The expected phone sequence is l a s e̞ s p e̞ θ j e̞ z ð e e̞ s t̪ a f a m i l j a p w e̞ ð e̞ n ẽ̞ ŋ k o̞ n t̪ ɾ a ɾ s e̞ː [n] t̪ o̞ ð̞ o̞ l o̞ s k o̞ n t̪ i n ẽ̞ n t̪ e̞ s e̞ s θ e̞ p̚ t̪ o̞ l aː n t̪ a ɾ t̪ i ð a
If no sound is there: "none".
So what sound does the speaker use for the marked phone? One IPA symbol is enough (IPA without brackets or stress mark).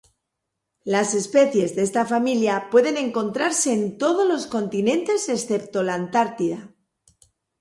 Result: n